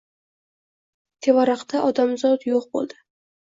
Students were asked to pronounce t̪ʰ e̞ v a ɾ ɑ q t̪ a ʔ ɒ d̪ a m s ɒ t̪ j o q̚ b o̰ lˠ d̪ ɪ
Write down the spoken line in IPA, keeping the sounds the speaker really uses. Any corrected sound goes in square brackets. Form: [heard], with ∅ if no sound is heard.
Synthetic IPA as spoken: t̪ʰ e̞ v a ɾ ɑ q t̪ a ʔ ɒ d̪ a m [z] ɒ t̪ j o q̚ b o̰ lˠ d̪ ɪ